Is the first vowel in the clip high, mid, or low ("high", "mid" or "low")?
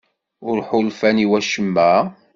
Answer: high